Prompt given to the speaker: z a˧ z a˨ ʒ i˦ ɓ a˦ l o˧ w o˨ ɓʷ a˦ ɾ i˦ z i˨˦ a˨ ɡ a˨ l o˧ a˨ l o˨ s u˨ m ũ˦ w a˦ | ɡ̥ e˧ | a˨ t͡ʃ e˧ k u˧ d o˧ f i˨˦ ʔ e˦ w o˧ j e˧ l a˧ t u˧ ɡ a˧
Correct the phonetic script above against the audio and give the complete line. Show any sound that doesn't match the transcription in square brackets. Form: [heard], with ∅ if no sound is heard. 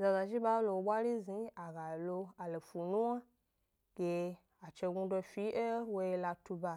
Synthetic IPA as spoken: z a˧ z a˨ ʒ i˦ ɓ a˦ l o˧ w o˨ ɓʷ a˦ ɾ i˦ z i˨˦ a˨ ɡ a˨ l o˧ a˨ l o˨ [f] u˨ [n] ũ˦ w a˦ | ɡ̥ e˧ | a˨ t͡ʃ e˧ [ɡ] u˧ d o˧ f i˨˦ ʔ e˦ w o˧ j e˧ l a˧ t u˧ [b] a˧